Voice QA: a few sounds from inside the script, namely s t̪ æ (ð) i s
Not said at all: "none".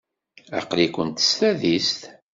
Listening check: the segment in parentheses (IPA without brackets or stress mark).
ð